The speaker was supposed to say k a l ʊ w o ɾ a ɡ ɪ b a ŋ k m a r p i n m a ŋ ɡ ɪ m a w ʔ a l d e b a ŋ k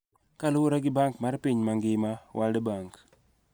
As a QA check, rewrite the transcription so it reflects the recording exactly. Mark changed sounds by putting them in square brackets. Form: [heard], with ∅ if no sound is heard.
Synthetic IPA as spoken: k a l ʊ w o ɾ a ɡ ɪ b a ŋ k m a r p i [ɲ] m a ŋ ɡ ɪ m a w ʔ a l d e b a ŋ k